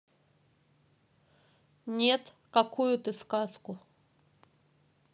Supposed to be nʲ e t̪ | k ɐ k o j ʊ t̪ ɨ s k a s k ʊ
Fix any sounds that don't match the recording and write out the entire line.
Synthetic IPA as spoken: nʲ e t̪ | k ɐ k u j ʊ t̪ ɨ s k a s k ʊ